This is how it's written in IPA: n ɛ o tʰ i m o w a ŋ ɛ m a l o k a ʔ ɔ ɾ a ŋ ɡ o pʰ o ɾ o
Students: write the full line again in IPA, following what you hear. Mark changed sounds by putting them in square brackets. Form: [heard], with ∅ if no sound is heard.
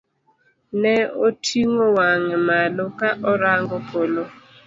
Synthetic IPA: n ɛ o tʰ i [ŋ] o w a ŋ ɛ m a l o k a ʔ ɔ ɾ a ŋ ɡ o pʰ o [l] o